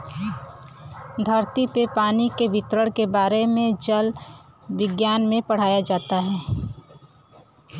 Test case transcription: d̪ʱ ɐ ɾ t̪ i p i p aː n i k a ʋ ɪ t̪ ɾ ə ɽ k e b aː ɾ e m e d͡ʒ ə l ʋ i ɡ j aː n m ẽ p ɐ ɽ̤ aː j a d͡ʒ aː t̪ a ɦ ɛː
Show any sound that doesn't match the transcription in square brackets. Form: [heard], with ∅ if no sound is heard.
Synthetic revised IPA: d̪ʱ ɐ ɾ t̪ i p [e] p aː n i k [e] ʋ ɪ t̪ ɾ ə ɽ k e b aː ɾ e m [ẽ] d͡ʒ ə l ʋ [ɪ] ɡ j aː n m ẽ p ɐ ɽ̤ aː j a d͡ʒ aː t̪ a ɦ ɛː